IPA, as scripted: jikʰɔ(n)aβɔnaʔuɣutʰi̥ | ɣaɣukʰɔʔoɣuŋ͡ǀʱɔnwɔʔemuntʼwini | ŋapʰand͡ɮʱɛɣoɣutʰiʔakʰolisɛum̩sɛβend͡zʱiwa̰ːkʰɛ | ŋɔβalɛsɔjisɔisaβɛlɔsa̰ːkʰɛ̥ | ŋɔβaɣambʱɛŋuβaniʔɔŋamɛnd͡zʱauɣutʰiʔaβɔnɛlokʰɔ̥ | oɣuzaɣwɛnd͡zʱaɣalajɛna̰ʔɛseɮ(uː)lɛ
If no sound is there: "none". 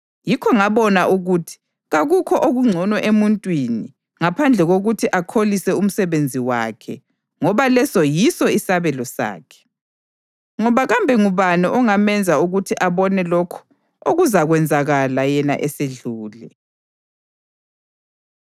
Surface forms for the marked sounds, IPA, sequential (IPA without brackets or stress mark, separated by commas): ŋ, uː